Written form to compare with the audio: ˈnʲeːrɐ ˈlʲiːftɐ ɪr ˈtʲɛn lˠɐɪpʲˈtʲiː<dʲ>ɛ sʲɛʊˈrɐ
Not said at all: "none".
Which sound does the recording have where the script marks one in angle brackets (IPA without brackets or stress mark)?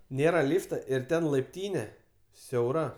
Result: nʲ